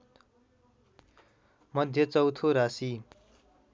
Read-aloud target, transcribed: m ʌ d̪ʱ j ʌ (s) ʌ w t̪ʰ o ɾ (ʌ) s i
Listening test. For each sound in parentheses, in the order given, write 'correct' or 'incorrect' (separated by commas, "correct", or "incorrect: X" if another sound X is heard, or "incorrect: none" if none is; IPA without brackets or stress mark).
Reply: incorrect: t͡s, incorrect: a